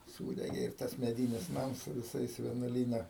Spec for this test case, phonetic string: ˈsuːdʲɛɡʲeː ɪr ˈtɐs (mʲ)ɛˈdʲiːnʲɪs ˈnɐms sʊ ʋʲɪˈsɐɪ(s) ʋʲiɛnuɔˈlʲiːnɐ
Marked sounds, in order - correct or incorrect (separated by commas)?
correct, correct